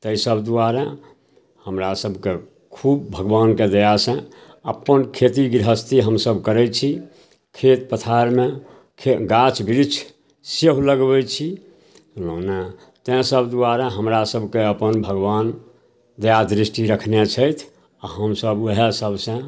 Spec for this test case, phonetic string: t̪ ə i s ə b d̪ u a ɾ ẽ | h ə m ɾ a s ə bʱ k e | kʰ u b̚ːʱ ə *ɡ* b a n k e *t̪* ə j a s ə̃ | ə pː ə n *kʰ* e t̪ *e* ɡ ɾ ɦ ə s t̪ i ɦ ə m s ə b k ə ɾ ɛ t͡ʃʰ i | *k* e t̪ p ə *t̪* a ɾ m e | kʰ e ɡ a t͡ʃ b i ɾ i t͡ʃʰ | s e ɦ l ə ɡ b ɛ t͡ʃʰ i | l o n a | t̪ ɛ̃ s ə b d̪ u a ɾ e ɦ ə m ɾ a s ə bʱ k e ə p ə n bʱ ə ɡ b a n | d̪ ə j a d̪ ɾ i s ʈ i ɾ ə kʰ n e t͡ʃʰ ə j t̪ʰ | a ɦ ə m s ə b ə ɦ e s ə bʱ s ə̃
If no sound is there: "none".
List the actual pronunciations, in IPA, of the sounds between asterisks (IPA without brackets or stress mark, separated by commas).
ɡ, d̪, kʰ, i, kʰ, t̪ʰ